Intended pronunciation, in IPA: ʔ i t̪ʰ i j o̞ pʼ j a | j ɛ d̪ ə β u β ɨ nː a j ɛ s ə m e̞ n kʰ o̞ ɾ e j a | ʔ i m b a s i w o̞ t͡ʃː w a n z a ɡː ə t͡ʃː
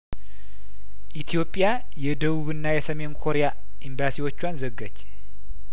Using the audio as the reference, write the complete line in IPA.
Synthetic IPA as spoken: ʔ i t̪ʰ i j o̞ pʼ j a | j ɛ d̪ ə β u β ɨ nː a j ɛ s ə m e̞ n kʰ o̞ ɾ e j a | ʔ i m b a s i w o̞ t͡ʃː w a n z ə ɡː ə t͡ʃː